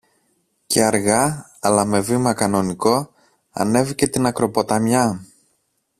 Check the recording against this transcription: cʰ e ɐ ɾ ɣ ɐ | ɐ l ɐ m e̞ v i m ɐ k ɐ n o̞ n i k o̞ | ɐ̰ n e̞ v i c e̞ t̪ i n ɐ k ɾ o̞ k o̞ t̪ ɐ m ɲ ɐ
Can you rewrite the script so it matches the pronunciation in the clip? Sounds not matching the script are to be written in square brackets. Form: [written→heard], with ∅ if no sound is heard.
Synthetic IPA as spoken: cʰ e ɐ ɾ ɣ ɐ | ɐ l ɐ m e̞ v i m ɐ k ɐ n o̞ n i k o̞ | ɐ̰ n e̞ v i c e̞ t̪ i n ɐ k ɾ o̞ [k→p] o̞ t̪ ɐ m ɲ ɐ